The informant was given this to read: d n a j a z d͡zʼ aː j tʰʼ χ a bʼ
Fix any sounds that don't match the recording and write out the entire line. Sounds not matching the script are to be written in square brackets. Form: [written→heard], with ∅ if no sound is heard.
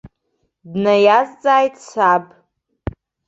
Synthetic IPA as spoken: d n a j a z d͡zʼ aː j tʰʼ [χ→s] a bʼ